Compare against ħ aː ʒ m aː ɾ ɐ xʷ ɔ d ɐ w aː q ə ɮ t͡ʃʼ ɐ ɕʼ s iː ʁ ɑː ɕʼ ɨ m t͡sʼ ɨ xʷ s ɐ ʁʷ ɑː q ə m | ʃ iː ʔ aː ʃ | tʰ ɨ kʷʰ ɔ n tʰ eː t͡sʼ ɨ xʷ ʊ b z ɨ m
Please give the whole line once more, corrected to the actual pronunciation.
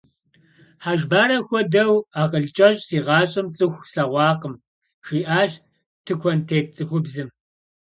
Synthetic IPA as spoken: ħ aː ʒ b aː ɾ ɐ xʷ ɔ d ɐ w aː q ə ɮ t͡ʃʼ ɐ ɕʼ s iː ʁ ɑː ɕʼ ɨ m t͡sʼ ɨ xʷ s ɐ ʁʷ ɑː q ə m | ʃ iː ʔ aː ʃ | tʰ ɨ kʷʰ ɔ n tʰ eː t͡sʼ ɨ xʷ ʊ b z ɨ m

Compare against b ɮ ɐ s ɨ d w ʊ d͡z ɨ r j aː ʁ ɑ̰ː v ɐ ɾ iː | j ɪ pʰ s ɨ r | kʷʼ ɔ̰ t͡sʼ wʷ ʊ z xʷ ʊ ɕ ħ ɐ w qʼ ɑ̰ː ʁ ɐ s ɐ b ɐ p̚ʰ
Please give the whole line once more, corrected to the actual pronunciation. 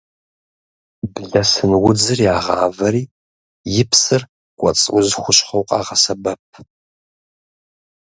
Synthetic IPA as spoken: b ɮ ɐ s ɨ n w ʊ d͡z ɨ r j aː ʁ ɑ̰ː v ɐ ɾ iː | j ɪ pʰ s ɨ r | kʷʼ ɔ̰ t͡sʼ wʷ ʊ z xʷ ʊ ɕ χ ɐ w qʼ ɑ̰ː ʁ ɐ s ɐ b ɐ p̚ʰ

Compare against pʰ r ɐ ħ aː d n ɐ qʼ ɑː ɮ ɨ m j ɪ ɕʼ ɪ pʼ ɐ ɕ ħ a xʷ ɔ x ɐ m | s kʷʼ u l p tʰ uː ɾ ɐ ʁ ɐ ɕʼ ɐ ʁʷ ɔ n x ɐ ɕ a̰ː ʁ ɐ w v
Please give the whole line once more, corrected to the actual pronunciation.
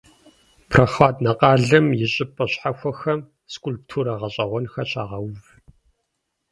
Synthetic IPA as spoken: pʰ r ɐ χ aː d n ɐ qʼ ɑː ɮ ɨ m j ɪ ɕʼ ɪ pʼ ɐ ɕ ħ a xʷ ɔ x ɐ m | s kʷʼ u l p tʰ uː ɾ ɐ ʁ ɐ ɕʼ ɐ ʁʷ ɔ n x ɐ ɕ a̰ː ʁ ɐ w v

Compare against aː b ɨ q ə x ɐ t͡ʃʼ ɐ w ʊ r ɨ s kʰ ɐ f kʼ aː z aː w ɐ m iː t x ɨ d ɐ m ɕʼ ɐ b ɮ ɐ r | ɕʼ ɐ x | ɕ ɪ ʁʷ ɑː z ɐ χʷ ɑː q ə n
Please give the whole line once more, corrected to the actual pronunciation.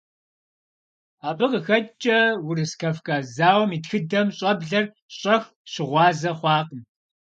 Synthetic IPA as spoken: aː b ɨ q ə x ɐ t͡ʃʼ ɐ w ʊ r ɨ s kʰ ɐ f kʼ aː z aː w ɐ m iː t x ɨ d ɐ m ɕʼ ɐ b ɮ ɐ r | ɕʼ ɐ x | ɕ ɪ ʁʷ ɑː z ɐ χʷ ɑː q ə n

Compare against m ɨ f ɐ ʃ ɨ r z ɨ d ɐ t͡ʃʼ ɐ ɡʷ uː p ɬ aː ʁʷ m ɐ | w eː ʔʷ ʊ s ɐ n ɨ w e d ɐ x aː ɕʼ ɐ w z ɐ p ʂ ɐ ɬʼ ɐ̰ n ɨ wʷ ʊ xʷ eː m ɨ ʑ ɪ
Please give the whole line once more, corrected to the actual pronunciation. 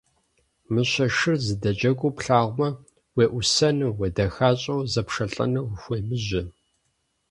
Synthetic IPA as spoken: m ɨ ɕ ɐ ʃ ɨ r z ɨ d ɐ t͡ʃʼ ɐ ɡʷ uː p ɬ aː ʁʷ m ɐ | w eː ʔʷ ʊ s ɐ n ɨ w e d ɐ x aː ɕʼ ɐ w z ɐ p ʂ ɐ ɬʼ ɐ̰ n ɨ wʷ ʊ xʷ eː m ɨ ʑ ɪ

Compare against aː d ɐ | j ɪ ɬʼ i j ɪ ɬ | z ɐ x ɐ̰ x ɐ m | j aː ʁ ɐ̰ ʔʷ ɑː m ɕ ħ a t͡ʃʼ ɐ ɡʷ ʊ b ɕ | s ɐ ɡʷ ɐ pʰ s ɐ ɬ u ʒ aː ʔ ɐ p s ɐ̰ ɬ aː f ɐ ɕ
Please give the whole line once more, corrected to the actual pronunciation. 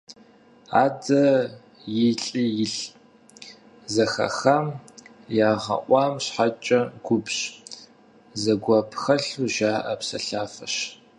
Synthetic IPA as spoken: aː d ɐ | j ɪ ɬʼ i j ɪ ɬ | z ɐ x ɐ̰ x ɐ m | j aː ʁ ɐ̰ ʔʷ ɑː m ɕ ħ a t͡ʃʼ ɐ ɡʷ ʊ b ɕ | z ɐ ɡʷ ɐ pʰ x ɐ ɬ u ʒ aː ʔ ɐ p s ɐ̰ ɬ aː f ɐ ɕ

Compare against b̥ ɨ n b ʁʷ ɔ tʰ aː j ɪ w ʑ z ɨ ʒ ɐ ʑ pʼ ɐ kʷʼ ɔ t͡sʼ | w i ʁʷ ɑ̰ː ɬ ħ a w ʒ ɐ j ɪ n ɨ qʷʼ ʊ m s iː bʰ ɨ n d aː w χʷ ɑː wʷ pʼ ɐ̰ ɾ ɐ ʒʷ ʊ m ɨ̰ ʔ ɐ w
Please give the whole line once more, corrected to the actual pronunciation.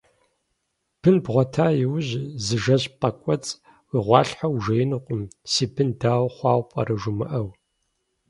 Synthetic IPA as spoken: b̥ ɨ n b ʁʷ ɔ tʰ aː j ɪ w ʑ z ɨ ʒ ɐ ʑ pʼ ɐ kʷʼ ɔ t͡sʼ | w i ʁʷ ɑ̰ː ɬ ħ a w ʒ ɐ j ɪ n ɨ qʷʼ ʊ m s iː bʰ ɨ n d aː w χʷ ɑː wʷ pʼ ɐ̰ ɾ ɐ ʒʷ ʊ m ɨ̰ ʔ ɐ w

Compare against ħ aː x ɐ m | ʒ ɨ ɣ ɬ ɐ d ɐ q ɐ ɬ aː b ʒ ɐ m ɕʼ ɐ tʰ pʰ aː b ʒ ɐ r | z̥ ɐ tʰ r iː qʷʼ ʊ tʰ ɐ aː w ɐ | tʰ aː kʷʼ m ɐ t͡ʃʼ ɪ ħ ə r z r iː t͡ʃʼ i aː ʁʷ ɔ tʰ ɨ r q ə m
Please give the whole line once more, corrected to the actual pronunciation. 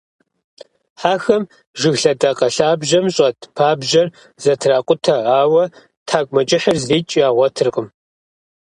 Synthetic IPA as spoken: ħ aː x ɐ m | ʒ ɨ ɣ ɬ ɐ d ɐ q ɐ ɬ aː b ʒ ɐ m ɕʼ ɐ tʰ pʰ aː b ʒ ɐ r | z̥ ɐ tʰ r aː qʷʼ ʊ tʰ ɐ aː w ɐ | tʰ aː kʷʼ m ɐ t͡ʃʼ ɪ ħ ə r z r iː t͡ʃʼ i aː ʁʷ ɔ tʰ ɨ r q ə m

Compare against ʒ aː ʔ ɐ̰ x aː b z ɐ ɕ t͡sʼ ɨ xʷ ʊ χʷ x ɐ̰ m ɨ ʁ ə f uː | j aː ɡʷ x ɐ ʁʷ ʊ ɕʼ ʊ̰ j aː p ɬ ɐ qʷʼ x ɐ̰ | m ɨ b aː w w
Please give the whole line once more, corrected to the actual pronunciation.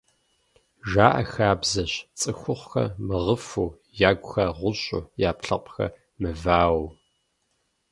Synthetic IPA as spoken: ʒ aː ʔ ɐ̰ x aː b z ɐ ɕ t͡sʼ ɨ xʷ ʊ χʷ x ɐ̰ m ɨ ʁ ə f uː | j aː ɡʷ x ɐ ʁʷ ʊ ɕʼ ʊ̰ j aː p ɬ ɐ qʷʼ x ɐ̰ | m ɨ v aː w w

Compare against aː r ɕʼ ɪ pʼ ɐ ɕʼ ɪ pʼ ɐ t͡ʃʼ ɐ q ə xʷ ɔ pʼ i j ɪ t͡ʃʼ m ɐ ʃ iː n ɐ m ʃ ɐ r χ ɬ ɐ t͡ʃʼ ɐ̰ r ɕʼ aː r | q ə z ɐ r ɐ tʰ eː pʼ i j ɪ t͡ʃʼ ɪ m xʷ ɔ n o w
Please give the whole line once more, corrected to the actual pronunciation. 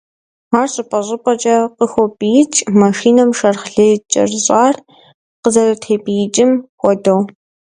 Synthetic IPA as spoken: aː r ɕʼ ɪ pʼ ɐ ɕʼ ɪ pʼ ɐ t͡ʃʼ ɐ q ə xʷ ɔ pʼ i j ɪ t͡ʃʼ m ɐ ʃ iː n ɐ m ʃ ɐ r χ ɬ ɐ t͡ʃʼ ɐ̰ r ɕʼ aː r | q ə z ɐ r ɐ tʰ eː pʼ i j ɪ t͡ʃʼ ɪ m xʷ ɔ d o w

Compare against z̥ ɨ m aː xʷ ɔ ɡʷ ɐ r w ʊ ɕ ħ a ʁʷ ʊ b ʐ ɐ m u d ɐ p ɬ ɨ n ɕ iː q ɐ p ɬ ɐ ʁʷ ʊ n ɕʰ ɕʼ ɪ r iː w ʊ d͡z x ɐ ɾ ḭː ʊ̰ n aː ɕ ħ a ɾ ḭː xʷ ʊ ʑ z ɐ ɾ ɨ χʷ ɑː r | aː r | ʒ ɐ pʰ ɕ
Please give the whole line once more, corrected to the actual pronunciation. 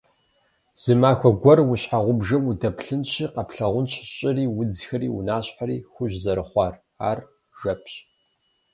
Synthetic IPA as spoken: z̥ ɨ m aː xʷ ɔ ɡʷ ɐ r w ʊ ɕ ħ a ʁʷ ʊ b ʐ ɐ m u d ɐ p ɬ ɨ n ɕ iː q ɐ p ɬ ɐ ʁʷ ʊ n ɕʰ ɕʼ ɪ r iː w ʊ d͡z x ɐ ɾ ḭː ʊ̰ n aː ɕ ħ a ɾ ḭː xʷ ʊ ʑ z ɐ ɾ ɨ χʷ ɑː r | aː r | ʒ ɐ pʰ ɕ

